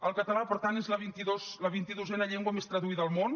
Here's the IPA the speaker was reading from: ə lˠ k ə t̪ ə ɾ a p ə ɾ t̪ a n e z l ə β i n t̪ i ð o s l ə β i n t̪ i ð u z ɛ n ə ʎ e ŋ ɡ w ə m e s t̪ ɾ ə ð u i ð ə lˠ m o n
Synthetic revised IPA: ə lˠ k ə t̪ ə l a p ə ɾ t̪ a n e z l ə β i n t̪ i ð o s l ə β i n t̪ i ð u z ɛ n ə ʎ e ŋ ɡ w ə m e s t̪ ɾ ə ð u i ð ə lˠ m o n